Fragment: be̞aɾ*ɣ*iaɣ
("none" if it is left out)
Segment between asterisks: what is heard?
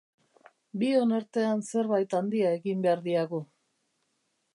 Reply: ð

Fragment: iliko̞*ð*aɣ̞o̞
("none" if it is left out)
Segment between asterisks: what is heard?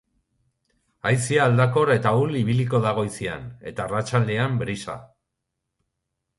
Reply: ð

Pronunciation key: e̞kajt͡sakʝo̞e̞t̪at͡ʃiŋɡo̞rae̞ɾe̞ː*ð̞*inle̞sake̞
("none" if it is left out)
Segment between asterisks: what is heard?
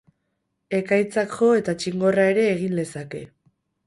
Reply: ɣ̞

